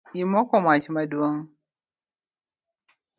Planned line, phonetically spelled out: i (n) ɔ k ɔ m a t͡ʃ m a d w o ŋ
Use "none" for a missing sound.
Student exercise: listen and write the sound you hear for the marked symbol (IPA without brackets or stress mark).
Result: m